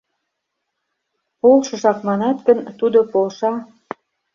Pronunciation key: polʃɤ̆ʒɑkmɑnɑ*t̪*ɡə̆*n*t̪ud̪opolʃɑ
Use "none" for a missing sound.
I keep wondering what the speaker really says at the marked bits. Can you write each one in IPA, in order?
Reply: t̪, n

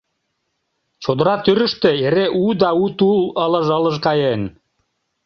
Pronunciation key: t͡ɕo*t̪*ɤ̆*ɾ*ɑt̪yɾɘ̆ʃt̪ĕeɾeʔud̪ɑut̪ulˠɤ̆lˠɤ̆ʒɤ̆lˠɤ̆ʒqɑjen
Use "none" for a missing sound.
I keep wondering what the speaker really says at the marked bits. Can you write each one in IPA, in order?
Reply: d̪, ɾ

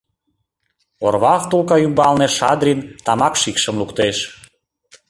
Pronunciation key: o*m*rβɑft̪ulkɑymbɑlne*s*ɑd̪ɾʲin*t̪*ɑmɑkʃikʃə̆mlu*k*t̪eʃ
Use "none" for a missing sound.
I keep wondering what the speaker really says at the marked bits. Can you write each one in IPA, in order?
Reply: none, ʃ, t̪, k

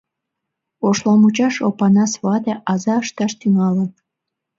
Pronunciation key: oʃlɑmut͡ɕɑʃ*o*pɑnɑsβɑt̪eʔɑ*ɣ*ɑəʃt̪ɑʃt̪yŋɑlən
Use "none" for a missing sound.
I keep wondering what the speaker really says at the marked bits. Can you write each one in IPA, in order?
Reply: o, z

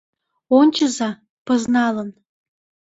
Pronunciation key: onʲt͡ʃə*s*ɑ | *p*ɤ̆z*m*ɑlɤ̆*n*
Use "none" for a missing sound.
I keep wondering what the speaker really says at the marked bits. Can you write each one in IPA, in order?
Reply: z, p, n, n

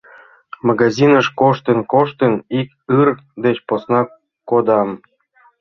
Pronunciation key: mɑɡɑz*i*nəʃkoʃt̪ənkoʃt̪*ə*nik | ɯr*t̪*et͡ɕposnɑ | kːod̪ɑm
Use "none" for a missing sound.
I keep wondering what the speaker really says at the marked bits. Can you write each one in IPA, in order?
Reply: i, ə, d̪

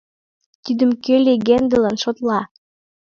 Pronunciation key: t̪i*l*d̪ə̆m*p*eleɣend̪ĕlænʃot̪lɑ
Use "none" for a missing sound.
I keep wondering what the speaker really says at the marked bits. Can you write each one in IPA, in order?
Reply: none, k

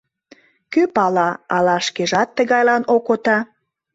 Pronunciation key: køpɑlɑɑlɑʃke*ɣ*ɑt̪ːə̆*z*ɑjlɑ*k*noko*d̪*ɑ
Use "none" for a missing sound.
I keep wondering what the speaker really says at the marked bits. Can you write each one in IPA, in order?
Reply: ʒ, ɣ, none, t̪

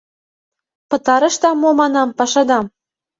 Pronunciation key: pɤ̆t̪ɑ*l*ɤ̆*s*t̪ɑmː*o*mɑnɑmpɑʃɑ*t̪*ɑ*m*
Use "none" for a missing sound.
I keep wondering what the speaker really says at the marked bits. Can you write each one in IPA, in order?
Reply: ɾ, ʃ, o, d̪, m

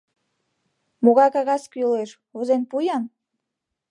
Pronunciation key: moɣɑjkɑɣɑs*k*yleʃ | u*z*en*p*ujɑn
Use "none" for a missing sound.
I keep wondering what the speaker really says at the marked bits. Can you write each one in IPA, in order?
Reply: k, z, p

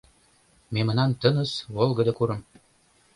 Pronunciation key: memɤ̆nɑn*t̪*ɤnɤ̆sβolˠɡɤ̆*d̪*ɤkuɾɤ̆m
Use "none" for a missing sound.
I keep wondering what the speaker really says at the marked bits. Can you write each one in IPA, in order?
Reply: t̪, d̪

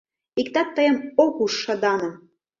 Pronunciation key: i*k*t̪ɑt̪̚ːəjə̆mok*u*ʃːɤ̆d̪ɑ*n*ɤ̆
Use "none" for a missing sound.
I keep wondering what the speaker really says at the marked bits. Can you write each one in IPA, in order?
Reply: k, u, n

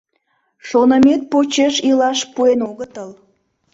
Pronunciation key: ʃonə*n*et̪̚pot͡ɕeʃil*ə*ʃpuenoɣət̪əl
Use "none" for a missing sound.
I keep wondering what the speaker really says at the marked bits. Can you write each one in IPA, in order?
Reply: m, ɑ

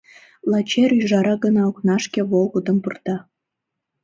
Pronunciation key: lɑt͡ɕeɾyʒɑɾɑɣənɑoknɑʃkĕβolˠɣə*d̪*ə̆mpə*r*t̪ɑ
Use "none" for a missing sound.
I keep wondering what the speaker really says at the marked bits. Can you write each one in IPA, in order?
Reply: d̪, r

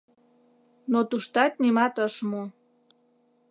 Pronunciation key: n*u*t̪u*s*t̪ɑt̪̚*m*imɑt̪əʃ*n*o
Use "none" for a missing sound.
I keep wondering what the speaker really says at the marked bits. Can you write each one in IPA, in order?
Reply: o, ʃ, n, m

